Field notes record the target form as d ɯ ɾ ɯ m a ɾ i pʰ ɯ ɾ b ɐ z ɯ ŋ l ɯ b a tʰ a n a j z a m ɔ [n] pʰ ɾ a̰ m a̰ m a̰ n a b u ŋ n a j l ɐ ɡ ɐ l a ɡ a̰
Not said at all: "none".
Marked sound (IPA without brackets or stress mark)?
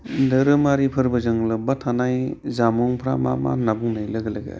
ŋ